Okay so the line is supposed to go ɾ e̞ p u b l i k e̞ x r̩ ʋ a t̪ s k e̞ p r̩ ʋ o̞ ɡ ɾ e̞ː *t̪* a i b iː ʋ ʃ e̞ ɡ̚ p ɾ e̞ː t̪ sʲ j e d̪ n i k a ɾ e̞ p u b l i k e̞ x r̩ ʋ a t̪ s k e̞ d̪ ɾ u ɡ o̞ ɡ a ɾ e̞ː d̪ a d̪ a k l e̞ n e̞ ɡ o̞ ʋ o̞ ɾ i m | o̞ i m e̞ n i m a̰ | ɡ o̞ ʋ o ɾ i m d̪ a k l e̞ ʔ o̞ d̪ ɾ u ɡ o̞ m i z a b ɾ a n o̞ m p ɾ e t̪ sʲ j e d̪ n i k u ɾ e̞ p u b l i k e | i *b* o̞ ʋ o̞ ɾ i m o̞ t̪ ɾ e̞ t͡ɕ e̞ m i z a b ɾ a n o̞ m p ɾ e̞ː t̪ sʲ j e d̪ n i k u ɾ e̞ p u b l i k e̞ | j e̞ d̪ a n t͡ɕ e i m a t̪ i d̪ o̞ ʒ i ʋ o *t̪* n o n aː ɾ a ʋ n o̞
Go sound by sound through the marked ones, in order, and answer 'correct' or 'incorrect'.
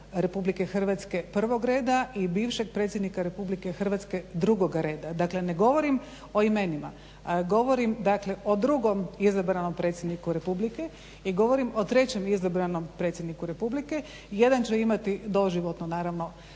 incorrect: d̪, incorrect: ɡ, correct

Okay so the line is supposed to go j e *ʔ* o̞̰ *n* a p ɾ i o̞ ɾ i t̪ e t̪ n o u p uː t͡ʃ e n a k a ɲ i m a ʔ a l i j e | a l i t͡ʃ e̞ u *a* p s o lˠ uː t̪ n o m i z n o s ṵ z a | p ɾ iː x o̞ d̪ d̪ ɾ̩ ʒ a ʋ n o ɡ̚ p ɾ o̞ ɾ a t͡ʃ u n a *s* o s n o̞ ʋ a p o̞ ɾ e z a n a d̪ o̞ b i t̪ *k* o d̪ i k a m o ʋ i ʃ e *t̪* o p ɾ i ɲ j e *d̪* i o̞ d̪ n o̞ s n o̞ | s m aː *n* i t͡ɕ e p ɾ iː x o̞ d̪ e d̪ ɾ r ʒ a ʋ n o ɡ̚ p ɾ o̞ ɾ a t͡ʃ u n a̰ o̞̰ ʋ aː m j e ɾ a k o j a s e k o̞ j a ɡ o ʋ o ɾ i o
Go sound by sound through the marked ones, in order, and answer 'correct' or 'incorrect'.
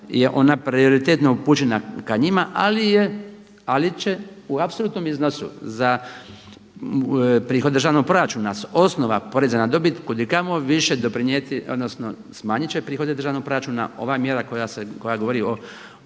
correct, correct, correct, correct, correct, incorrect: d̪, incorrect: t̪, incorrect: ɲ

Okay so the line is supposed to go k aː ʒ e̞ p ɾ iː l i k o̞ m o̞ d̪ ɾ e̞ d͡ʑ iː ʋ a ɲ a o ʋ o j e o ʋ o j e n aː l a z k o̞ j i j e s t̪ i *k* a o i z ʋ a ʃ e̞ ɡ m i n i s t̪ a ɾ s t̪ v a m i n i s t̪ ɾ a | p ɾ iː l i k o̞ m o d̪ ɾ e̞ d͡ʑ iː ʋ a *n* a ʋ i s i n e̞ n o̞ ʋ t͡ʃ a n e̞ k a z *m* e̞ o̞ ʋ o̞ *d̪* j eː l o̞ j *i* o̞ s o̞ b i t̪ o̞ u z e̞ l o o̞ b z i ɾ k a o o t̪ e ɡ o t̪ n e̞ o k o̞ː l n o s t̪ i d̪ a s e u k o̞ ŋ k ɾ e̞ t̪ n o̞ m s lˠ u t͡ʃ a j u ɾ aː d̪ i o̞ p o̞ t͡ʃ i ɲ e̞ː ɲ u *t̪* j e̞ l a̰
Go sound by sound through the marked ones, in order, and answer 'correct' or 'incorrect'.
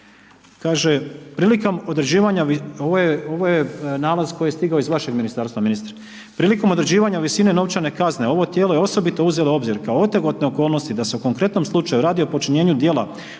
incorrect: ɡ, incorrect: ɲ, incorrect: n, incorrect: t̪, incorrect: e, incorrect: d̪

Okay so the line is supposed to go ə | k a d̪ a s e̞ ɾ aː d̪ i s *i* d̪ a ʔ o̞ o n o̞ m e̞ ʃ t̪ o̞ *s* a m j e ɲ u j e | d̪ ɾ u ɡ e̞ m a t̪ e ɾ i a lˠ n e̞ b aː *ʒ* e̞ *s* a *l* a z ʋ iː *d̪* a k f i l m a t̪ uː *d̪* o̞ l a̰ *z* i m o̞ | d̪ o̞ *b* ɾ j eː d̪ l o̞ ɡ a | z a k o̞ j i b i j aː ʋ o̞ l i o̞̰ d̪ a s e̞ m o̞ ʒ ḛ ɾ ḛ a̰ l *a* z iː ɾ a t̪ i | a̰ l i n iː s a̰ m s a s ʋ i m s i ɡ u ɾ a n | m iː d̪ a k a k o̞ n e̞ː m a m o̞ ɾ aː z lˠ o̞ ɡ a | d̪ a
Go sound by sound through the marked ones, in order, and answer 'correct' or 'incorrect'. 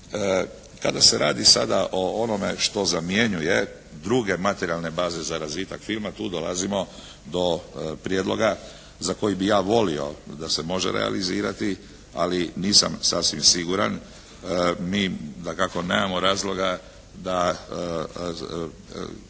incorrect: a, incorrect: z, incorrect: z, incorrect: z, incorrect: ɾ, incorrect: t̪, correct, correct, incorrect: p, incorrect: i

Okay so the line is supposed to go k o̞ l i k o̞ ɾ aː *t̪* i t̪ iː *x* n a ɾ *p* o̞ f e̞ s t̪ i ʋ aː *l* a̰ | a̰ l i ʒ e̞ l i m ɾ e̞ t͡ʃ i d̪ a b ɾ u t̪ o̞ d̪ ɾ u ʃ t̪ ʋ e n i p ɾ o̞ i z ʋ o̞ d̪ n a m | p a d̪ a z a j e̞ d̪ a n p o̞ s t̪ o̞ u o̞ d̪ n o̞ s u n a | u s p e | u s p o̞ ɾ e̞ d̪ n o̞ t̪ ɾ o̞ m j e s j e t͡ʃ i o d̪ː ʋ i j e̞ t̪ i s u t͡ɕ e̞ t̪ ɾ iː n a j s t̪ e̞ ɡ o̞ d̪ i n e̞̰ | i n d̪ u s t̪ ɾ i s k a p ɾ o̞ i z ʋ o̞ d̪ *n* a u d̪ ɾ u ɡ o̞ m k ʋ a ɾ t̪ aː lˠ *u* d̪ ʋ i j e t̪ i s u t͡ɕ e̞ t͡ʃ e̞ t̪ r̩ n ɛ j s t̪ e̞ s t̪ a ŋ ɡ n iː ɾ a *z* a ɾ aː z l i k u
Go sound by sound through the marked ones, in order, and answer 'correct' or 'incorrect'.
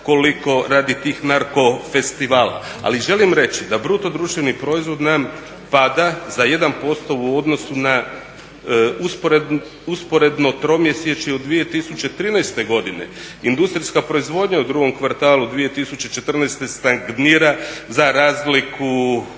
incorrect: d̪, correct, incorrect: k, correct, incorrect: ɲ, correct, correct

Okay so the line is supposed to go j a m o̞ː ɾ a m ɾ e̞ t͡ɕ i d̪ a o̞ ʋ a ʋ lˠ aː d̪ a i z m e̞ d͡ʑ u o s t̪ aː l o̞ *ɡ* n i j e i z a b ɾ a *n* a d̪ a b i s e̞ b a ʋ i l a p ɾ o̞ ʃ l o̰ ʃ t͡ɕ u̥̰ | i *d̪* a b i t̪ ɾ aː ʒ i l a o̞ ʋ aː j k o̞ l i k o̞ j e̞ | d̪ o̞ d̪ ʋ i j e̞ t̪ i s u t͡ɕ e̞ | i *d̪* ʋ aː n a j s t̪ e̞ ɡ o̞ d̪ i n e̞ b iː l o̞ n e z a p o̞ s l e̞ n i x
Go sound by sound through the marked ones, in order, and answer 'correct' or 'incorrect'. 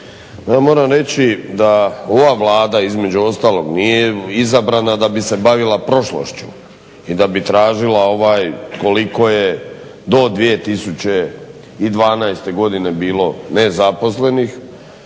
correct, correct, correct, correct

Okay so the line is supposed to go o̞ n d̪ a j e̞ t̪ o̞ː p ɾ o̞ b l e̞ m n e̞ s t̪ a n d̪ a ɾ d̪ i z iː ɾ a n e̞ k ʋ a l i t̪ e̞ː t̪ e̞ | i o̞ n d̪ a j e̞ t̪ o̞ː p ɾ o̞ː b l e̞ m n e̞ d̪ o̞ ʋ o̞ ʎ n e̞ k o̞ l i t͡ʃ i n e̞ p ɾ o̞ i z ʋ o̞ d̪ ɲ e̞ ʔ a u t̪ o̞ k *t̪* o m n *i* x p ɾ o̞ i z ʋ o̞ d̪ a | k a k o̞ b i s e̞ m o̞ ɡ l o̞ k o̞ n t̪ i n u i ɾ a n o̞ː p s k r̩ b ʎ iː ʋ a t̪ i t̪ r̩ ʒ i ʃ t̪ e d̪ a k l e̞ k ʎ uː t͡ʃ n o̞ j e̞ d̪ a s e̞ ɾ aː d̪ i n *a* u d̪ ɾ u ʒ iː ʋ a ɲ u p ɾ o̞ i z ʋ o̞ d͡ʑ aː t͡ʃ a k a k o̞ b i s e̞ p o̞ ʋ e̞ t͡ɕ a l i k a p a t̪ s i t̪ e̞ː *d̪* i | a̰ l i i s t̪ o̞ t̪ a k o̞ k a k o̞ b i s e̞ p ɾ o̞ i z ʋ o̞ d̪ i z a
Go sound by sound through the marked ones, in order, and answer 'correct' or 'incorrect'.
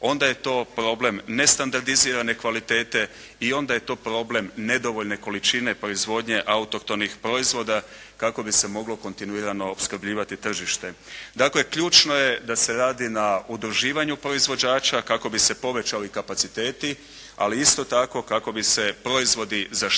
correct, correct, correct, incorrect: t̪

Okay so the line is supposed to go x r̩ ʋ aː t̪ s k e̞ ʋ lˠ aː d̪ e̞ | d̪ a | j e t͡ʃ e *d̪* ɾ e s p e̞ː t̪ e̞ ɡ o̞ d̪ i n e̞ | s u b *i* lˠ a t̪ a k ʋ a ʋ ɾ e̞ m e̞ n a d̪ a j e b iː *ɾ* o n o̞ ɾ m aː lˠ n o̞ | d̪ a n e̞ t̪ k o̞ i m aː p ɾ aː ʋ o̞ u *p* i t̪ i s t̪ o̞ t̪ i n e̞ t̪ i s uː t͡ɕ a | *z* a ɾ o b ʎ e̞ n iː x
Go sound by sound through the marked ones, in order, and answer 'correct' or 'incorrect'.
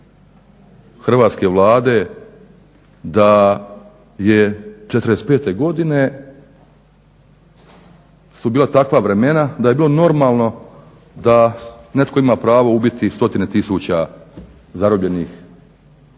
incorrect: t̪, incorrect: iː, incorrect: l, incorrect: b, correct

